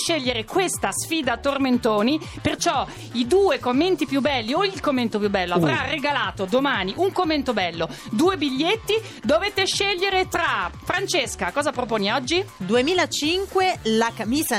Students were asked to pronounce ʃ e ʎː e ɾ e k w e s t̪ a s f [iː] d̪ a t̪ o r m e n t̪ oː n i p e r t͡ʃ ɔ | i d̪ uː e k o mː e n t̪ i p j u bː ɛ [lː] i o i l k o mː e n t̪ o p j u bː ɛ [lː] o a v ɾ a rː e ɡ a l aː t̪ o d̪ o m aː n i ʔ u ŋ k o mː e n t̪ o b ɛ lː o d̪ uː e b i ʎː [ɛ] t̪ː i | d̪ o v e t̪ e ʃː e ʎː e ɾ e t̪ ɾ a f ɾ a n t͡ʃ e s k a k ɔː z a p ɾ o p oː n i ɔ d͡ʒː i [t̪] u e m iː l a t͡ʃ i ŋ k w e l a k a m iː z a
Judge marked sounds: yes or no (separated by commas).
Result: yes, yes, yes, no, no